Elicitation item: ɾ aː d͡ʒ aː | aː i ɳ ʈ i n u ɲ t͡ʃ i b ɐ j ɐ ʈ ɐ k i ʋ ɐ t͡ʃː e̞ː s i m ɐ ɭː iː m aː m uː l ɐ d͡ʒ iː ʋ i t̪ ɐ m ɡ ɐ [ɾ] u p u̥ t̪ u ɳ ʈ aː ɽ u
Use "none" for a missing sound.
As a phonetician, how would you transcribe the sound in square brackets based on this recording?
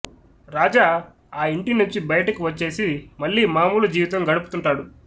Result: ɽ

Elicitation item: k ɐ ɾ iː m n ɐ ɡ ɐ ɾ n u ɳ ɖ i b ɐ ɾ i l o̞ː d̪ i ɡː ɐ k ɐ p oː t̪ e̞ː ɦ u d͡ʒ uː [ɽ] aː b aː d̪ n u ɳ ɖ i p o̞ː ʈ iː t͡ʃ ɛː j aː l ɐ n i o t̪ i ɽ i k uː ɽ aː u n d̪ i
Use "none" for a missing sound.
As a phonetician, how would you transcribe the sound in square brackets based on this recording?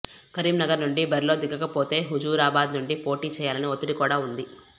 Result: ɾ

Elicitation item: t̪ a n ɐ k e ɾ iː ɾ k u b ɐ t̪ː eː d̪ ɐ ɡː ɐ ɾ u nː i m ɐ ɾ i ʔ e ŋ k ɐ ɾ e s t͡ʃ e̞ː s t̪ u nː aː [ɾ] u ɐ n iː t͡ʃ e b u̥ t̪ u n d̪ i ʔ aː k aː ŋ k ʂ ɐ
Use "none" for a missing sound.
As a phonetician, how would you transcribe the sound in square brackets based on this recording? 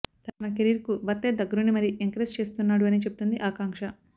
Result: ɽ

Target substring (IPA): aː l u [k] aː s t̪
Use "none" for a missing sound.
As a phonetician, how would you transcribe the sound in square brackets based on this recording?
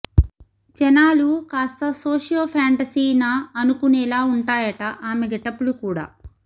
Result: k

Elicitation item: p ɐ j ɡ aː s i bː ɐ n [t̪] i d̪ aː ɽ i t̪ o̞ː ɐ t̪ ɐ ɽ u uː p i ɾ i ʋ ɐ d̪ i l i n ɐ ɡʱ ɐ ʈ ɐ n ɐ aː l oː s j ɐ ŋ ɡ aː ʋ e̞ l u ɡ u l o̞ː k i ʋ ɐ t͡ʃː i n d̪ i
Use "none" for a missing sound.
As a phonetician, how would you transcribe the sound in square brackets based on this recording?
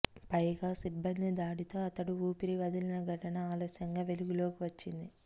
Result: d̪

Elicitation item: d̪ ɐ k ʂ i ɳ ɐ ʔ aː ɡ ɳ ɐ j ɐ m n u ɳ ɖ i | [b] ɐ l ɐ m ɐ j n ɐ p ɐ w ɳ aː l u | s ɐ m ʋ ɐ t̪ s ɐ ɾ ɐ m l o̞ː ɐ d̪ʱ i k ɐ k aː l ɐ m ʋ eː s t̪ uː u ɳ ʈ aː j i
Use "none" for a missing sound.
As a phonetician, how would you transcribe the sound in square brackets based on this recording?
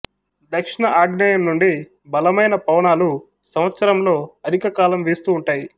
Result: b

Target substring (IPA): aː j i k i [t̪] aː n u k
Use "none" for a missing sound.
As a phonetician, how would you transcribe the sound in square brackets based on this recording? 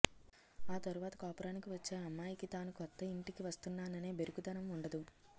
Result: t̪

